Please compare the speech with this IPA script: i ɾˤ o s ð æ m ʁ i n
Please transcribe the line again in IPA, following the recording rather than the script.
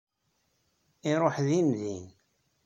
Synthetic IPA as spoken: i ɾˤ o ħ ð i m ð i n